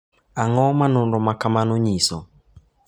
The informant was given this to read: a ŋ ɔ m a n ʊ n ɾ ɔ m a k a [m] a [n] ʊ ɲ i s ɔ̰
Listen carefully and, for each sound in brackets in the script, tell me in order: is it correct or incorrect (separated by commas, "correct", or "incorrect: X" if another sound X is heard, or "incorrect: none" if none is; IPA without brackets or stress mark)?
correct, correct